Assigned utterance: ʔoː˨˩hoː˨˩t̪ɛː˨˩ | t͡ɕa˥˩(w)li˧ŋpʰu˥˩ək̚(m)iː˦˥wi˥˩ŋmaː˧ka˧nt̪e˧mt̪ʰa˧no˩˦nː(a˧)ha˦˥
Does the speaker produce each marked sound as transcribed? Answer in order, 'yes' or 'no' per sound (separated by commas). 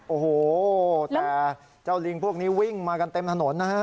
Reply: yes, no, no